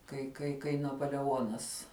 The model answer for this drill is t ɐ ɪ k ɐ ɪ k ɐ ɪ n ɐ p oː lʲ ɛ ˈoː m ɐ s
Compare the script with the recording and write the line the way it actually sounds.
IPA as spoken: k ɐ ɪ k ɐ ɪ k ɐ ɪ n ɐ p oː lʲ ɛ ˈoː n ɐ s